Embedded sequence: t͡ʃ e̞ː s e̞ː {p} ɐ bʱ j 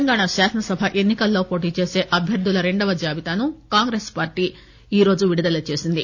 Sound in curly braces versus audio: incorrect: ʔ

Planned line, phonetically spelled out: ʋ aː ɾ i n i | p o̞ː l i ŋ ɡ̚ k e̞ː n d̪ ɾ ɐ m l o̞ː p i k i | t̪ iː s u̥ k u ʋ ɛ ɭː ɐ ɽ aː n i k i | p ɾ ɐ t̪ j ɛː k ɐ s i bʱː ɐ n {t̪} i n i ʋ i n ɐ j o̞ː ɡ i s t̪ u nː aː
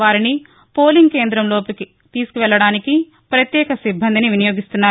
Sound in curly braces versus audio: incorrect: d̪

